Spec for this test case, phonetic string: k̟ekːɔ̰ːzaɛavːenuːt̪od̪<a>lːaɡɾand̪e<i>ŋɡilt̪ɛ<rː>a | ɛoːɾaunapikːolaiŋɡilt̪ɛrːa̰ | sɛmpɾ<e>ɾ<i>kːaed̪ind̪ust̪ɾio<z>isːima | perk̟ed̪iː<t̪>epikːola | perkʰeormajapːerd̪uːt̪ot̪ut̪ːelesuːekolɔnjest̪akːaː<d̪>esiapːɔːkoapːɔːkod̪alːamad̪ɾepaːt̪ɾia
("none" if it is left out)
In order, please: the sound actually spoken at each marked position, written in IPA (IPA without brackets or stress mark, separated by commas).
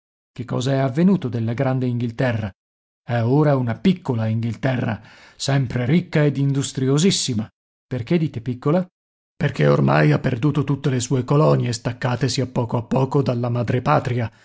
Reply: e, i, rː, e, i, z, t̪, t̪